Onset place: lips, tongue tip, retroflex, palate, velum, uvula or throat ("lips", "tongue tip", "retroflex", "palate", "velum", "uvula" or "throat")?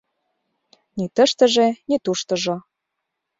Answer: tongue tip